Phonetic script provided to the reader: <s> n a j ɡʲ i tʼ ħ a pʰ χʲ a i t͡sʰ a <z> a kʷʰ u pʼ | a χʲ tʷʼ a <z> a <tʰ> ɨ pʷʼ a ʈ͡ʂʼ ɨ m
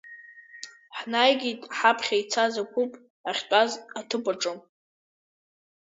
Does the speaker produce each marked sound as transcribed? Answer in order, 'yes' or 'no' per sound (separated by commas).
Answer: no, yes, yes, yes